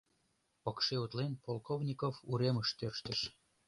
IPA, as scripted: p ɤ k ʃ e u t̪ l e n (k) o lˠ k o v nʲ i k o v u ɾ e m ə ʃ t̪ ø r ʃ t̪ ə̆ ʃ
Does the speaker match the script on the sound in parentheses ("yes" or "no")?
no